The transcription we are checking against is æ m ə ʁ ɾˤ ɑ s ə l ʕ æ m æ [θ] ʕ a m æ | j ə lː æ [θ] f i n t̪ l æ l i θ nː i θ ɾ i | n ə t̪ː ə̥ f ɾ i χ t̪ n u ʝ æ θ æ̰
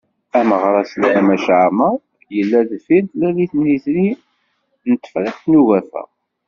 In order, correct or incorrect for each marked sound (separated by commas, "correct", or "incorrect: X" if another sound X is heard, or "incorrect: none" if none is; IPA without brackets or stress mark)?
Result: incorrect: ʃ, incorrect: ð